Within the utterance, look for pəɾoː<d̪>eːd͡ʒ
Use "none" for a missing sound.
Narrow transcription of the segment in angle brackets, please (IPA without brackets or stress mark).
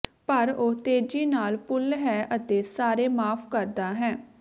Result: t̪